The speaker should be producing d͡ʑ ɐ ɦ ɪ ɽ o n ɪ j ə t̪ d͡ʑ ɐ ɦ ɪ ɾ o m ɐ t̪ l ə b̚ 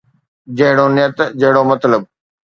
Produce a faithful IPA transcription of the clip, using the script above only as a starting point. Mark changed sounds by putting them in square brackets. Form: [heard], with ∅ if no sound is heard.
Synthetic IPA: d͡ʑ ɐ ɦ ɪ ɽ o n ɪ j ə t̪ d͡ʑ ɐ ɦ ɪ [ɽ] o m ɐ t̪ l ə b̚